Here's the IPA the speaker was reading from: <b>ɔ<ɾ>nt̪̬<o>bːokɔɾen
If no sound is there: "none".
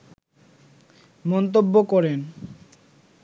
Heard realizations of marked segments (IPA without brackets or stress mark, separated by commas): m, none, o